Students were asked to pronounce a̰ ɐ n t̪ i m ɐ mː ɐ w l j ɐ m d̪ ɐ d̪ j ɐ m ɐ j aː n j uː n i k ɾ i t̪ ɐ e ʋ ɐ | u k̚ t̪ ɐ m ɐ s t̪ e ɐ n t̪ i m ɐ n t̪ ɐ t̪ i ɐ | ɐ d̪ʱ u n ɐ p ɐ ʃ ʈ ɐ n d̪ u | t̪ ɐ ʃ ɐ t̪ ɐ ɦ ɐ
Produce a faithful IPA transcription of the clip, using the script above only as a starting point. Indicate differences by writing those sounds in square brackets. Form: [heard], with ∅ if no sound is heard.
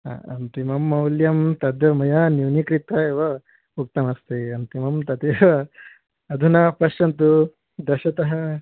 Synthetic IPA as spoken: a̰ ɐ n t̪ i m ɐ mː ɐ w l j ɐ m [t̪] ɐ d̪ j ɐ m ɐ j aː n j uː n i k ɾ i t̪ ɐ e ʋ ɐ | u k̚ t̪ ɐ m ɐ s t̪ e ɐ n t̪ i m ɐ [m] t̪ ɐ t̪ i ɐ | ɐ d̪ʱ u n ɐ p ɐ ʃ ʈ ɐ n [t̪] u | [d̪] ɐ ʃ ɐ t̪ ɐ ɦ ɐ